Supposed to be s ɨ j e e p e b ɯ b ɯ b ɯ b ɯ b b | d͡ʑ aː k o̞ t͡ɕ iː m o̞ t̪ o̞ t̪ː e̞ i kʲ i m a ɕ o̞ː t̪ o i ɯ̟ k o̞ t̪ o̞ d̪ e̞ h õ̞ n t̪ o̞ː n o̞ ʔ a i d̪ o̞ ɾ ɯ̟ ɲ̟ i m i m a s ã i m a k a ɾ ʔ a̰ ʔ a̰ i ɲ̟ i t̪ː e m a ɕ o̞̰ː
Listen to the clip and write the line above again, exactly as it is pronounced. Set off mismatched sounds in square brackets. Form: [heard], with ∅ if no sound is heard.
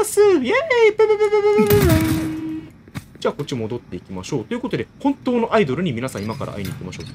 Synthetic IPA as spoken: s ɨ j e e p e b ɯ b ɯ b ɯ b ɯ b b | d͡ʑ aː k o̞ t͡ɕ [i] m o̞ [d̪] o̞ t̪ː e̞ i kʲ i m a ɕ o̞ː t̪ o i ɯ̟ k o̞ t̪ o̞ d̪ e̞ h õ̞ n t̪ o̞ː n o̞ ʔ a i d̪ o̞ ɾ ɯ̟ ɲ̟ i m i [n] a s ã i m a k a ɾ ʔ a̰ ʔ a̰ i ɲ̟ i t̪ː e m a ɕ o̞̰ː